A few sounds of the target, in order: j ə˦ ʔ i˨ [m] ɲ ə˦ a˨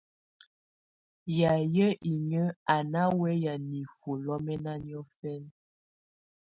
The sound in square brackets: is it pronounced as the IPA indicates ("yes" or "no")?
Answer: no